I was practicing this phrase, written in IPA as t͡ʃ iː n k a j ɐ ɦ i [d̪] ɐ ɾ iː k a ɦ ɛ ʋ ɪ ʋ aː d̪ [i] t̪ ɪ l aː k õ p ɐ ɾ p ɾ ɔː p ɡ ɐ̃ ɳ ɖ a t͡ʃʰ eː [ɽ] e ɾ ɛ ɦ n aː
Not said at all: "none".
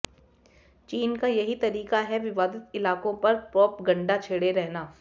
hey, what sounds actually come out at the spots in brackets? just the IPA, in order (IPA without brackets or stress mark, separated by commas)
t̪, ɪ, ɽ